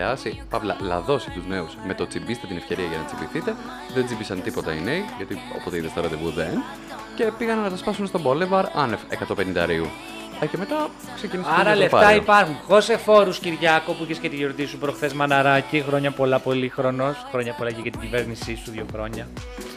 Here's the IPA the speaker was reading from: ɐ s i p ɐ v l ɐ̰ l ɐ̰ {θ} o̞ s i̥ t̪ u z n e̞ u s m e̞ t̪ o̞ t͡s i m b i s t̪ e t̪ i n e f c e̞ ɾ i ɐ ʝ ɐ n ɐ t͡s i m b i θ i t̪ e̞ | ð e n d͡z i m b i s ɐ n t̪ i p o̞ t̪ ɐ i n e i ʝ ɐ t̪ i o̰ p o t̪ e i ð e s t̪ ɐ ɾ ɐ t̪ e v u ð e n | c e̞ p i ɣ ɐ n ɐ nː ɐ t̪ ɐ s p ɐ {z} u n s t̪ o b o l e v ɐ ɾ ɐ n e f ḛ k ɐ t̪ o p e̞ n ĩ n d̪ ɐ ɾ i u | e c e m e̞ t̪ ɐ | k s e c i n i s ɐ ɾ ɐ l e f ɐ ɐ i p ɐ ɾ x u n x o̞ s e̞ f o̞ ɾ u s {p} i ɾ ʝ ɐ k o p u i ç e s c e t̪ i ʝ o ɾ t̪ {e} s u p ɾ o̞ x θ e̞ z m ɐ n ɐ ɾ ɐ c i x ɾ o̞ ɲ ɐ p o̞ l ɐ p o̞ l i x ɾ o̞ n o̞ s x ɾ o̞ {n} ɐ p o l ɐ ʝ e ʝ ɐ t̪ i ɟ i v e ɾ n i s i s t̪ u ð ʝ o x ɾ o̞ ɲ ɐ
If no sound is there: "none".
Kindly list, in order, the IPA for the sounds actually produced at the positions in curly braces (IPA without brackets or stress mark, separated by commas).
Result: ð, s, c, i, ɲ